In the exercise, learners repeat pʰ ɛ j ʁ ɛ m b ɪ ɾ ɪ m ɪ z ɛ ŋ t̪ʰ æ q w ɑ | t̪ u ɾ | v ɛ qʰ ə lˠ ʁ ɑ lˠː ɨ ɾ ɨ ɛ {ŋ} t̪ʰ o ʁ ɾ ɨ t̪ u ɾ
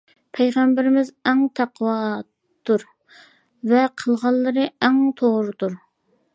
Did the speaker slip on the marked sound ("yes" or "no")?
no